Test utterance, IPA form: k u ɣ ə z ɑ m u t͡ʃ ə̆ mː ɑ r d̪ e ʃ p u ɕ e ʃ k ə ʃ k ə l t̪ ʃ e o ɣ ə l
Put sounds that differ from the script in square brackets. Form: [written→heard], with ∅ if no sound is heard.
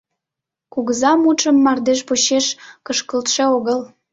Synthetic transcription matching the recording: k u ɣ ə z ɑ m u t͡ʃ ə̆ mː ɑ r d̪ e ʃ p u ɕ e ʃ k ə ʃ k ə l t̪ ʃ e o ɣ ə l